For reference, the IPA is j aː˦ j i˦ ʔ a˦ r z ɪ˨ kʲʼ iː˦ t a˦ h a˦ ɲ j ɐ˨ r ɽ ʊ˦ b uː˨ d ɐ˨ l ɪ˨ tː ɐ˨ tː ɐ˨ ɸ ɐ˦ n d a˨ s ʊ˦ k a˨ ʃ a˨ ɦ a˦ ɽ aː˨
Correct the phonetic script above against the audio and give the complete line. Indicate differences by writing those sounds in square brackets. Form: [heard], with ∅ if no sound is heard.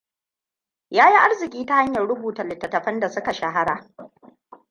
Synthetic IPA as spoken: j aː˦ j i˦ ʔ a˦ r z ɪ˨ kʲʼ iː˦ t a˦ h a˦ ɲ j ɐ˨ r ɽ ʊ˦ b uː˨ [t] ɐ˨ l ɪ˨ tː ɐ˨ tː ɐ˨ ɸ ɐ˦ n d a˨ s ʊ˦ k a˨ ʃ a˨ ɦ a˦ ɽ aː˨